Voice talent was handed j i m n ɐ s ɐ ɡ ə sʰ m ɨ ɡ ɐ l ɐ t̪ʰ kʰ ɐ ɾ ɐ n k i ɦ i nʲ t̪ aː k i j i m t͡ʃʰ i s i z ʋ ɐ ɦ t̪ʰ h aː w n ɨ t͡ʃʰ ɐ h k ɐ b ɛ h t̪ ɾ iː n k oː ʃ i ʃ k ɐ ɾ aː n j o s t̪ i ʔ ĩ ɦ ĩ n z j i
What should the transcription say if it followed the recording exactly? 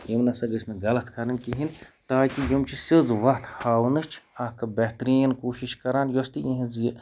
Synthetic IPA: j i m n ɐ s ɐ ɡ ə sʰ n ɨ ɡ ɐ l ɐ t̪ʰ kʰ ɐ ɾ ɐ n k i ɦ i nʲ t̪ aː k i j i m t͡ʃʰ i s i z ʋ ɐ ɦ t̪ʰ h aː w n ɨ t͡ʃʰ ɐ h k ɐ b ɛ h t̪ ɾ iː n k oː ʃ i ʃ k ɐ ɾ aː n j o s t̪ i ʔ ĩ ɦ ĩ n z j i

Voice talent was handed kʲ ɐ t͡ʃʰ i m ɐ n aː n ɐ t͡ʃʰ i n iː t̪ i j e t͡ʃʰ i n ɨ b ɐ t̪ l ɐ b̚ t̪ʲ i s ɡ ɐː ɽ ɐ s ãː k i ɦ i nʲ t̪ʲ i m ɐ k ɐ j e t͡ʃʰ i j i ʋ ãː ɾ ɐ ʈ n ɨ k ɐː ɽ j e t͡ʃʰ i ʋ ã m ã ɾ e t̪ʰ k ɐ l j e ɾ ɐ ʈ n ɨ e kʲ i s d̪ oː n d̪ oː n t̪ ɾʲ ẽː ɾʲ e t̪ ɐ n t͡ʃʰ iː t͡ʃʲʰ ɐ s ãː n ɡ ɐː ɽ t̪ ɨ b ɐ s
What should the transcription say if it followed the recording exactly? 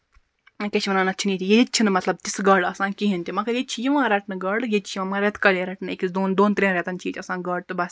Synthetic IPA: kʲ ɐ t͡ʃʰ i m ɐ n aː n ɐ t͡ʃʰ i n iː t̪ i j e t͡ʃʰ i n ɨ m ɐ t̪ l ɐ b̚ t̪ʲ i s ɡ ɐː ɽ ɐ s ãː k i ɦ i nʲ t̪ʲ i m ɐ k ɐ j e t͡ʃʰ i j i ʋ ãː ɾ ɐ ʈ n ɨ ɡ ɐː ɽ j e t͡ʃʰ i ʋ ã m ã ɾ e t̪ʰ k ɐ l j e ɾ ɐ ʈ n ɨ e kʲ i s d̪ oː n d̪ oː n t̪ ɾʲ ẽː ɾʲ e t̪ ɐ n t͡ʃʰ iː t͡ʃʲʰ ɐ s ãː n ɡ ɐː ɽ t̪ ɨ b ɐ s

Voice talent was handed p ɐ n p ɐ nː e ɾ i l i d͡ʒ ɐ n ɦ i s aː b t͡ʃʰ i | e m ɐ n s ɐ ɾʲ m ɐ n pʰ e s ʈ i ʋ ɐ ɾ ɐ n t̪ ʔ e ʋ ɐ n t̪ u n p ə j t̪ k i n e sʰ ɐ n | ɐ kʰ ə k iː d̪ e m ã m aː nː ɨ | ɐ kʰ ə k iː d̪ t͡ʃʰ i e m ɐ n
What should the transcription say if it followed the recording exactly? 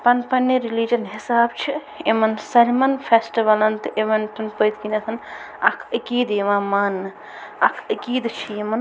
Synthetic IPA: p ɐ n p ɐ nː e ɾ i l i d͡ʒ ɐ n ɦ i s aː b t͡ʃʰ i | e m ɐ n s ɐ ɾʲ m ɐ n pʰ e s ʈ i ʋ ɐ l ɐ n t̪ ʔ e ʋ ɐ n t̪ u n p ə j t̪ k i n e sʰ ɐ n | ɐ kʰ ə k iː d̪ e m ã m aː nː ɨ | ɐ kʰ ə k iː d̪ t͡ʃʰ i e m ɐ n

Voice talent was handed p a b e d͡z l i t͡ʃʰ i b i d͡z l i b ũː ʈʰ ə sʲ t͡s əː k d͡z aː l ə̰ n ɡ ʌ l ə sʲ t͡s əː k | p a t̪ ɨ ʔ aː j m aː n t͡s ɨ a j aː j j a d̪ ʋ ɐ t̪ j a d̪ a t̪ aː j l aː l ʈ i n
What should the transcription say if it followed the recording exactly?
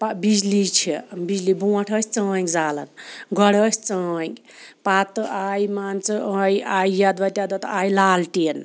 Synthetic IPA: p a b i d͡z l i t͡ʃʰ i b i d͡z l i b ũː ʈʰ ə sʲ t͡s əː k d͡z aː l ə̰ n ɡ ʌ ɽ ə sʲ t͡s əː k | p a t̪ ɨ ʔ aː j m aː n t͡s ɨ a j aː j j a d̪ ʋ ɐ t̪ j a d̪ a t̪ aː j l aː l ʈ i n

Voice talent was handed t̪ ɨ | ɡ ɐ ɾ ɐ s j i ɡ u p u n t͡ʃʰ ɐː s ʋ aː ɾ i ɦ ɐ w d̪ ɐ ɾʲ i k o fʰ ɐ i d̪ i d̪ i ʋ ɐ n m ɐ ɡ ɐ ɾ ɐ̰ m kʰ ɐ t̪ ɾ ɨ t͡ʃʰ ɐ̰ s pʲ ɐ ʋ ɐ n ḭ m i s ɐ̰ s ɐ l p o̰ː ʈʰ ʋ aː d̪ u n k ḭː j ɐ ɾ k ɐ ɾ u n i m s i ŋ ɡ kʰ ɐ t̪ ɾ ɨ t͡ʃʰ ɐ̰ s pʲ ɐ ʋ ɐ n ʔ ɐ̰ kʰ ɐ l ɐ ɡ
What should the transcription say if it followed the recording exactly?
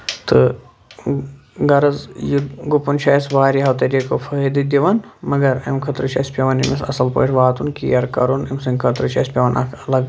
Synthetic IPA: t̪ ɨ | ɡ ɐ ɾ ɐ z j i ɡ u p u n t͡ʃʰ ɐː s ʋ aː ɾ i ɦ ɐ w t̪ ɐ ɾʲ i k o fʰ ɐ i d̪ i d̪ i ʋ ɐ n m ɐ ɡ ɐ ɾ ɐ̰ m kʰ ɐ t̪ ɾ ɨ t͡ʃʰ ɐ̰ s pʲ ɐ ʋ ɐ n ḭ m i s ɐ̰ s ɐ l p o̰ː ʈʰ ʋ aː t̪ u n k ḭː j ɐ ɾ k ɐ ɾ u n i m s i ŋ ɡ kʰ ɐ t̪ ɾ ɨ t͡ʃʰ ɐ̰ s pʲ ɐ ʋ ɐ n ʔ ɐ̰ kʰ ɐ l ɐ ɡ

